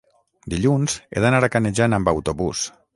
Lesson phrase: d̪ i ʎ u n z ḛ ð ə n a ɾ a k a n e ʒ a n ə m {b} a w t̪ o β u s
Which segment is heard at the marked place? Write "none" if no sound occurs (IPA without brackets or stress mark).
b